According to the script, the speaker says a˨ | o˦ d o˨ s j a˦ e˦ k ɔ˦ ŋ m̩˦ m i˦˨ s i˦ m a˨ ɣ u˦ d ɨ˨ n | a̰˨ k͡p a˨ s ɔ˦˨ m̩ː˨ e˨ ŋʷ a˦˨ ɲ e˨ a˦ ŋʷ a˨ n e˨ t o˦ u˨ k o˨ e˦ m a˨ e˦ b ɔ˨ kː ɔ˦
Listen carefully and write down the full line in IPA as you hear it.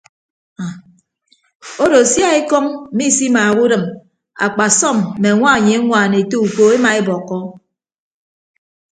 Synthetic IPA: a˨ | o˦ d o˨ s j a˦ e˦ k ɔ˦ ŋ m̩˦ m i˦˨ s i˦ m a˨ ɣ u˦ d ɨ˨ m | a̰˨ k͡p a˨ s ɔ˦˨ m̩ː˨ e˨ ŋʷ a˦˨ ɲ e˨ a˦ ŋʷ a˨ n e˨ t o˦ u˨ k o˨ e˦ m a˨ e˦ b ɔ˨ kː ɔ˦